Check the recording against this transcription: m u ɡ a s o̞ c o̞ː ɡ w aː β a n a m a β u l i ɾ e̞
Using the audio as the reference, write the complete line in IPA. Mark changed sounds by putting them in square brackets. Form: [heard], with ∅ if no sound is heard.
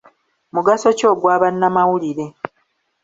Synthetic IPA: m u ɡ a s o̞ c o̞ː ɡ w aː β a [nː] a m a [w] u l i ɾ e̞